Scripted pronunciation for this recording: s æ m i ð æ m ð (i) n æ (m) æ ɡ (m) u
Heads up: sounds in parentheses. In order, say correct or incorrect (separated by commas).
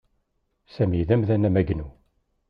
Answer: incorrect, correct, incorrect